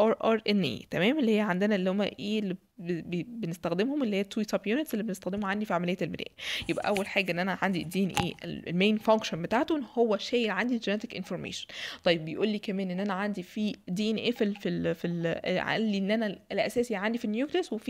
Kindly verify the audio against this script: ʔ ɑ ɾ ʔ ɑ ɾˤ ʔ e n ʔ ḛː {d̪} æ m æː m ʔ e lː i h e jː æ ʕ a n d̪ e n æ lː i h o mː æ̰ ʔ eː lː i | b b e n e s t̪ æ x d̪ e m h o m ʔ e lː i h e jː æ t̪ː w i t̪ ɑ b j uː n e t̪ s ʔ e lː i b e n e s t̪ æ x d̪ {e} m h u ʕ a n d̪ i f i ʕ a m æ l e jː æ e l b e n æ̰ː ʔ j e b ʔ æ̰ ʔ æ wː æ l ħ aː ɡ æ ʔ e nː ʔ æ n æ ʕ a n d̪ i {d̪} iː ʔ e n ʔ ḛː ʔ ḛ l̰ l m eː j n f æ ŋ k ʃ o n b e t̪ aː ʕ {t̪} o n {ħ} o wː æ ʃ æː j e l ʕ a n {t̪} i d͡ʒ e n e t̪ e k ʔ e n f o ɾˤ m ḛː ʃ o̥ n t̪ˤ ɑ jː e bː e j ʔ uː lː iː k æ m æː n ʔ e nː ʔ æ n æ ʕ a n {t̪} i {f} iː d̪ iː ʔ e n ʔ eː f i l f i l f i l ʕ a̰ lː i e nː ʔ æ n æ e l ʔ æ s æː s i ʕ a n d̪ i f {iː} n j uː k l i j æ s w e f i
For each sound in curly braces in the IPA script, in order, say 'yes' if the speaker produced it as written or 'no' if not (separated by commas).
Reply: no, yes, yes, yes, no, no, no, yes, no